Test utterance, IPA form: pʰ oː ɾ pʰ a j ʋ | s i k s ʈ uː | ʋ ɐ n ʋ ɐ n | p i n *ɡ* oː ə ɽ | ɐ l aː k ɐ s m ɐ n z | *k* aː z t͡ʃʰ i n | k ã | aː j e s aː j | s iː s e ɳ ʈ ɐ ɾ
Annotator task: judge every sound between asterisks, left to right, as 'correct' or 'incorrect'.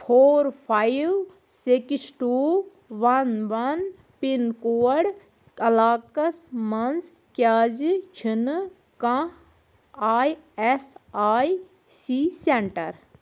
incorrect, correct

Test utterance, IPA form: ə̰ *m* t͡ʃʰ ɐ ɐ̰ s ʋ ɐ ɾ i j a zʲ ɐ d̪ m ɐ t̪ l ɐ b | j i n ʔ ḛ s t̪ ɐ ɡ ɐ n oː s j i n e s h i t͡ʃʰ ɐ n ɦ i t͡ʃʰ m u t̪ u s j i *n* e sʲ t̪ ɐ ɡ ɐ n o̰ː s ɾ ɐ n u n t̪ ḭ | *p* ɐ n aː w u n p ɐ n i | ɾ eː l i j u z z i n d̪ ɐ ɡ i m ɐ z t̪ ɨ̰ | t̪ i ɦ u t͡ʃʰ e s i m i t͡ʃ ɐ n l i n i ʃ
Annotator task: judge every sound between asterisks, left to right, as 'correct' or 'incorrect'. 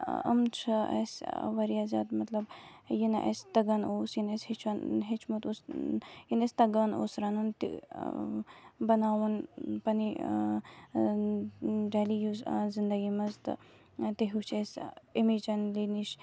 correct, correct, incorrect

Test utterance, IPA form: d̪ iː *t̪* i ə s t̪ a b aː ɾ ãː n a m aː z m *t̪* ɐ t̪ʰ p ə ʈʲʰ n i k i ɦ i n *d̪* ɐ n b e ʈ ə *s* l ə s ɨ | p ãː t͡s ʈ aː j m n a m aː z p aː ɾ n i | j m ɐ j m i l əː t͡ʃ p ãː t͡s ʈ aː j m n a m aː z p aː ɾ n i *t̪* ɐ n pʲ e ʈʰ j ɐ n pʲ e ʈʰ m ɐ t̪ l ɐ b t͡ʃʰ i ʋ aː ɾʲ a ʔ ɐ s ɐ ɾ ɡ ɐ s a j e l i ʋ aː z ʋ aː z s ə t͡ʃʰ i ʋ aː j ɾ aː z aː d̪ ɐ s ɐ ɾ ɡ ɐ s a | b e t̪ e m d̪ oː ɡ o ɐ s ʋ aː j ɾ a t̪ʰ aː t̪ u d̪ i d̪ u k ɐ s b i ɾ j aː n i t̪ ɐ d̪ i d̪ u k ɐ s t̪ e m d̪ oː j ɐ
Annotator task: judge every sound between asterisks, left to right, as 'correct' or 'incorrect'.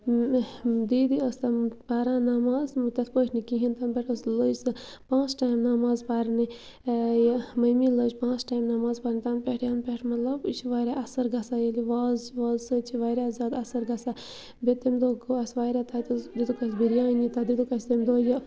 incorrect, correct, incorrect, correct, correct

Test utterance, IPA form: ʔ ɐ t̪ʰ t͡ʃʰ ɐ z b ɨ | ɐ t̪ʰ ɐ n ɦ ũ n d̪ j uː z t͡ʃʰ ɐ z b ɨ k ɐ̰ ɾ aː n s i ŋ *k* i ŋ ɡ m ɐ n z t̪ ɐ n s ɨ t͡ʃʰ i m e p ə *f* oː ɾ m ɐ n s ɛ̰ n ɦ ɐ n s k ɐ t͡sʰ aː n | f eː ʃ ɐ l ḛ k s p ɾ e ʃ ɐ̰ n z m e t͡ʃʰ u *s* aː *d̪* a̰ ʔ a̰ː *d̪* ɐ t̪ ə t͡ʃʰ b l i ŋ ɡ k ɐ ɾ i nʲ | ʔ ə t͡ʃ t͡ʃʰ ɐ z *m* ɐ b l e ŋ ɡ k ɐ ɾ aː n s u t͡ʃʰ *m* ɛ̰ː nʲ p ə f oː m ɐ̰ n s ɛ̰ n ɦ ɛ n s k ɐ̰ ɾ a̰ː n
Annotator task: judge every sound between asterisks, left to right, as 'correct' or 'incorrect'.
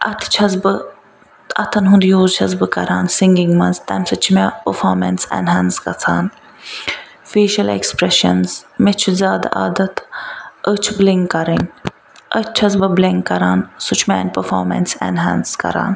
incorrect, correct, incorrect, correct, correct, incorrect, correct

